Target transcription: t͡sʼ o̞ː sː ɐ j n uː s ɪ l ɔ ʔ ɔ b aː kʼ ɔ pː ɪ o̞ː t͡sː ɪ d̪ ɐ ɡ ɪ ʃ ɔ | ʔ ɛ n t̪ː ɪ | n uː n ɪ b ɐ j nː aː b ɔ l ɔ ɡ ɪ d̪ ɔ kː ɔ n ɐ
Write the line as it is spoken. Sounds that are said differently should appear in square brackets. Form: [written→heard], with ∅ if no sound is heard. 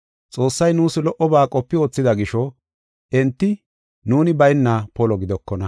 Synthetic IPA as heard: t͡sʼ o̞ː sː ɐ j n uː s ɪ l ɔ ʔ ɔ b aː kʼ ɔ pː ɪ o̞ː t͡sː ɪ d̪ ɐ ɡ ɪ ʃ ɔ | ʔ ɛ n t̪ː ɪ | n uː n ɪ b ɐ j nː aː [b→p] ɔ l ɔ ɡ ɪ d̪ ɔ kː ɔ n ɐ